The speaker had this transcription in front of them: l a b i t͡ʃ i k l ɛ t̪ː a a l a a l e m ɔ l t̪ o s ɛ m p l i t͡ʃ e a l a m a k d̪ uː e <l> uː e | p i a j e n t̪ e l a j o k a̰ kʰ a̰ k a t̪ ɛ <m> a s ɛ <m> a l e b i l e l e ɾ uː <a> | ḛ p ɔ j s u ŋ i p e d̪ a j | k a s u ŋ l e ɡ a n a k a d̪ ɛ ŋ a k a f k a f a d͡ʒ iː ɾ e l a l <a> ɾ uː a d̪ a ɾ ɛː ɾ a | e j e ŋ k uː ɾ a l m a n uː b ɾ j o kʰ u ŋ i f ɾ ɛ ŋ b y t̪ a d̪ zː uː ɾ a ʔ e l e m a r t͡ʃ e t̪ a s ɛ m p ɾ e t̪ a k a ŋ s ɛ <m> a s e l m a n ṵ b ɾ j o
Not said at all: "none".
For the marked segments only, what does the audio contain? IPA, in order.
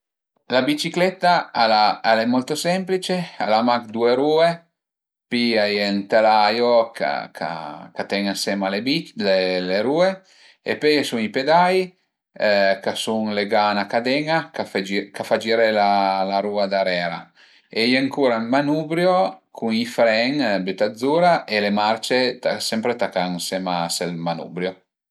ɾ, ŋ, m, e, a, m

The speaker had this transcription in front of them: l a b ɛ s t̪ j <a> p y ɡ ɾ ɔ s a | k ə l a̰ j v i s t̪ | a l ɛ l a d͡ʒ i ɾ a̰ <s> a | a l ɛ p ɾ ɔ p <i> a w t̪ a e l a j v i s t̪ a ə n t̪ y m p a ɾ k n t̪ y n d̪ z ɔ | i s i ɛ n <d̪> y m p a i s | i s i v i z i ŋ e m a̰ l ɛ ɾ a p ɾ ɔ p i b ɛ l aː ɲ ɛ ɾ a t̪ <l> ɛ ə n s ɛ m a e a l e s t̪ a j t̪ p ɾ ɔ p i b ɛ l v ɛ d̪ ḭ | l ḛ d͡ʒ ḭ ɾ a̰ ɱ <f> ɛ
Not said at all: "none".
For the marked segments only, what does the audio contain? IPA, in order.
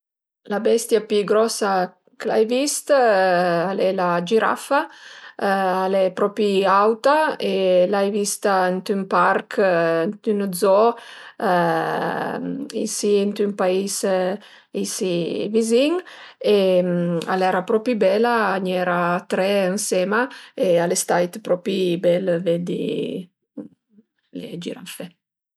a, f, i, t̪, ɾ, f

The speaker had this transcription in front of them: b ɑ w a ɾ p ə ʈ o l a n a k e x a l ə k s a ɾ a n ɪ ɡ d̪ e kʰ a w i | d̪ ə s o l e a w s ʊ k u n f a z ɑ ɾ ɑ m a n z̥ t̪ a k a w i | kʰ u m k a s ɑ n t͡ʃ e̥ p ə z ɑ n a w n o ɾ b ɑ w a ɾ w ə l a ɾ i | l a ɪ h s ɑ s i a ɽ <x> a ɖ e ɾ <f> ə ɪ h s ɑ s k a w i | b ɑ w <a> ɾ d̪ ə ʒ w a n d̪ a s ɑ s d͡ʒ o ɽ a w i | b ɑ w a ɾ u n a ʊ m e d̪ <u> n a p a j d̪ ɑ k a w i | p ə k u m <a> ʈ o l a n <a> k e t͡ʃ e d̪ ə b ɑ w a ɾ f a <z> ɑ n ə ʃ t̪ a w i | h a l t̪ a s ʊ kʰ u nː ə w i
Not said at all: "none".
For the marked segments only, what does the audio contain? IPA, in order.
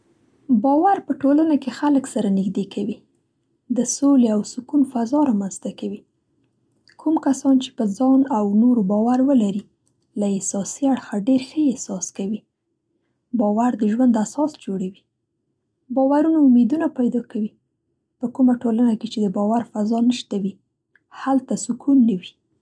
x, x, a, u, a, a, z

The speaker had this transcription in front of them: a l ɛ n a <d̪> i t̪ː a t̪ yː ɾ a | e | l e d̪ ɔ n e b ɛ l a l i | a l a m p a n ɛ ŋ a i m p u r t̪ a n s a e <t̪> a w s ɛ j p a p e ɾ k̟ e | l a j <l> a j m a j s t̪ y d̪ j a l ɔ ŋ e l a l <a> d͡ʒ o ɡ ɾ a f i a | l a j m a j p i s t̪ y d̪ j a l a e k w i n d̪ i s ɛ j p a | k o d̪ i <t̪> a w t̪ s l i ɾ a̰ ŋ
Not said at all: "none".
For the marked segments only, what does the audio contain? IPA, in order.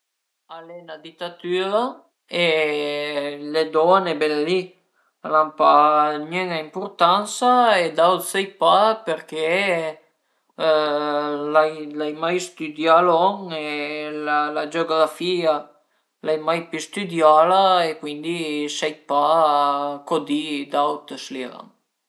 d̪, d̪, l, a, d̪

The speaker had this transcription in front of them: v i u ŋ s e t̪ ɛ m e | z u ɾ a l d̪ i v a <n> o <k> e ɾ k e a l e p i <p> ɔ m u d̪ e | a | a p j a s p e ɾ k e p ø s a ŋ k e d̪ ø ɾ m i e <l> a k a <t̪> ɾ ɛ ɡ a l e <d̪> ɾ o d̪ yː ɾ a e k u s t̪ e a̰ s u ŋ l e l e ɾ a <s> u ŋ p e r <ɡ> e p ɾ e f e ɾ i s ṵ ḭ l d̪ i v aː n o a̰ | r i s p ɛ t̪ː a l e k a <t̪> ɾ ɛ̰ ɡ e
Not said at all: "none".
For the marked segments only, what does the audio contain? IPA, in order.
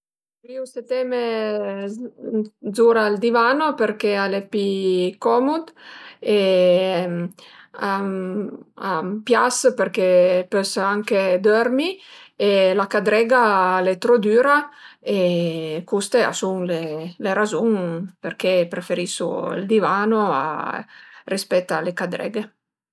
n, p, k, l, d̪, t̪, z, k, d̪

